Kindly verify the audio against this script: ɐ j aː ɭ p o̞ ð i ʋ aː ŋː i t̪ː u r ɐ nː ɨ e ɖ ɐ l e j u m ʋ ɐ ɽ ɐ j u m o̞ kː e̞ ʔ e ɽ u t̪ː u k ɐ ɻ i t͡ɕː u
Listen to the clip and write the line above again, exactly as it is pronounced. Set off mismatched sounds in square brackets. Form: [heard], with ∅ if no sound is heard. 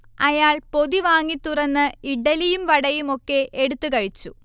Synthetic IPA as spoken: ɐ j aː ɭ p o̞ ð i ʋ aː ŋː i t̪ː u r ɐ nː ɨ [i] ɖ ɐ l [i] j u m ʋ ɐ ɽ ɐ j u m o̞ kː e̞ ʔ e ɽ u t̪ː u k ɐ ɻ i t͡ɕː u